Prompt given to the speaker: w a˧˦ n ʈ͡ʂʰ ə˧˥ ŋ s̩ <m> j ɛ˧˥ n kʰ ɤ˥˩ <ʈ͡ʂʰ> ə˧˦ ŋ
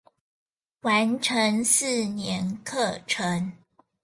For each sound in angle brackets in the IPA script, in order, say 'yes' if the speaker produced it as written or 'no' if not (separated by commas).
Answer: no, yes